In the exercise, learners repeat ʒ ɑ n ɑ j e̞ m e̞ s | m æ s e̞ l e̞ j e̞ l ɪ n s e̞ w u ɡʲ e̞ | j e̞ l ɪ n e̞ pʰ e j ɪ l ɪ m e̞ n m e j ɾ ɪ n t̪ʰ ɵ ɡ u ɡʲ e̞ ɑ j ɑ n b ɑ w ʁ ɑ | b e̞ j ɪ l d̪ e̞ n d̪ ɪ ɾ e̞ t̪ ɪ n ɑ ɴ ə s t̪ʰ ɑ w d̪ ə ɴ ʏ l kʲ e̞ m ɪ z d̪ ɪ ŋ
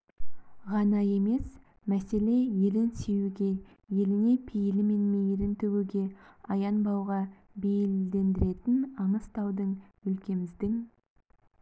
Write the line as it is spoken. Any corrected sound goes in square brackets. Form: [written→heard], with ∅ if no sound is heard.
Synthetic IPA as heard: [ʒ→ʁ] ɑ n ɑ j e̞ m e̞ s | m æ s e̞ l e̞ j e̞ l ɪ n s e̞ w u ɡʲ e̞ | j e̞ l ɪ n e̞ pʰ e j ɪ l ɪ m e̞ n m e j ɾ ɪ n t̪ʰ ɵ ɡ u ɡʲ e̞ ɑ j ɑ n b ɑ w ʁ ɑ | b e̞ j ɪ l d̪ e̞ n d̪ ɪ ɾ e̞ t̪ ɪ n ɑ ɴ ə s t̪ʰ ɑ w d̪ ə ɴ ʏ l kʲ e̞ m ɪ z d̪ ɪ ŋ